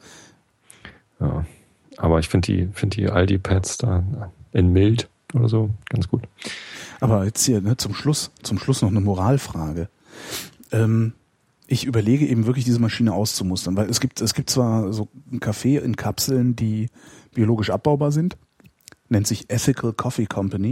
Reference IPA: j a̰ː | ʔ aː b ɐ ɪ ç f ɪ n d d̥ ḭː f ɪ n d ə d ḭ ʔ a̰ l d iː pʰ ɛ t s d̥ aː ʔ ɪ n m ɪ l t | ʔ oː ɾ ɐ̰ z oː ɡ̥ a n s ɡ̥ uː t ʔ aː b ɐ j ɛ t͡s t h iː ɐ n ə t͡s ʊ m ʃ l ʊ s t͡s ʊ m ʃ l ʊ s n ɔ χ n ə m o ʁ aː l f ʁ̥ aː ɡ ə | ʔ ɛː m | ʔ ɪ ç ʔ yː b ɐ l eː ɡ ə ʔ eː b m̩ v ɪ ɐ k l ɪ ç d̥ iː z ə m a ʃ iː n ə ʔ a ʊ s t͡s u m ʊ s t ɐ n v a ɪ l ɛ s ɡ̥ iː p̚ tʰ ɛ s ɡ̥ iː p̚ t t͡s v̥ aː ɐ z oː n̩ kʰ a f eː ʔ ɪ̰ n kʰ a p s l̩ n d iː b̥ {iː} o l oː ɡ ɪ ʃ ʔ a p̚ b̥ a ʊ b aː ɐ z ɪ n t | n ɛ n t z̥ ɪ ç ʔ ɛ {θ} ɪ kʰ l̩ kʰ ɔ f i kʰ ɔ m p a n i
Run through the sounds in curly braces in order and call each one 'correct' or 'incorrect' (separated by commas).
incorrect, correct